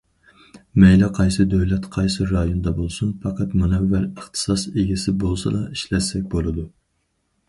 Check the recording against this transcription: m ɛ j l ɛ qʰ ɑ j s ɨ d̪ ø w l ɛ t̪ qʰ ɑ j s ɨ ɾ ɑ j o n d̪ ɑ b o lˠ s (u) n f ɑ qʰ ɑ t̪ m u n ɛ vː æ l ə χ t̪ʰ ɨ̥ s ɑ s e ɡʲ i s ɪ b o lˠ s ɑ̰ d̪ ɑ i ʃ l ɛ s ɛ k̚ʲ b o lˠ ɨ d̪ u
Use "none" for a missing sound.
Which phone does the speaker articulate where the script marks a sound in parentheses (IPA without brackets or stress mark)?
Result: u